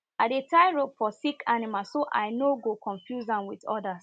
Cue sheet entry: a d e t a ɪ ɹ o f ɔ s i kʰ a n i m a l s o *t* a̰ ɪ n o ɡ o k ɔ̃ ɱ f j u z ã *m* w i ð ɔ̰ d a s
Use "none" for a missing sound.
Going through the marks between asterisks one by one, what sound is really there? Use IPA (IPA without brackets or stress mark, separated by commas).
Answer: ʔ, n